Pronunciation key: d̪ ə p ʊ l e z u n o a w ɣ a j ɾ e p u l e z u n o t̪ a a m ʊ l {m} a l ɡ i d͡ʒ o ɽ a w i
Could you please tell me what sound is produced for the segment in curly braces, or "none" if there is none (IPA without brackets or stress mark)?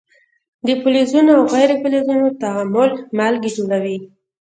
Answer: m